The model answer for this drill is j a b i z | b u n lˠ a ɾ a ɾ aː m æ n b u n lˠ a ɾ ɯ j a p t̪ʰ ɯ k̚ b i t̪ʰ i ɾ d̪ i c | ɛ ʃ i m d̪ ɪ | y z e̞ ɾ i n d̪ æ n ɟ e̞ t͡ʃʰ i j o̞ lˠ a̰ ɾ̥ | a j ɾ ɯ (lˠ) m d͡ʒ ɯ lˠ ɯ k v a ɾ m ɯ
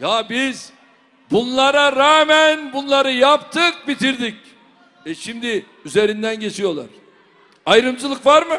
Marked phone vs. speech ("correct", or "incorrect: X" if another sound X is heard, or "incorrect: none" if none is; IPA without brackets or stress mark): incorrect: none